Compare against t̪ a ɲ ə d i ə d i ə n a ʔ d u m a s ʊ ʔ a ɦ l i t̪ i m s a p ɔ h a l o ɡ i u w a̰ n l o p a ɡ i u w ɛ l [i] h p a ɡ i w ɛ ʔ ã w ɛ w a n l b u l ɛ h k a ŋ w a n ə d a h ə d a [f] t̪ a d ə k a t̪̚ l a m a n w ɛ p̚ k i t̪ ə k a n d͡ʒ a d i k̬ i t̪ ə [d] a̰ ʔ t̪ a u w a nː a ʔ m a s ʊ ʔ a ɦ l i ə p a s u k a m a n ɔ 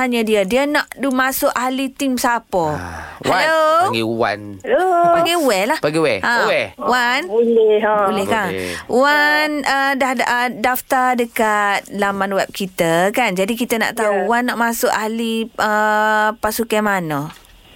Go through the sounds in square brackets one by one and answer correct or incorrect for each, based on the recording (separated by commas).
incorrect, correct, incorrect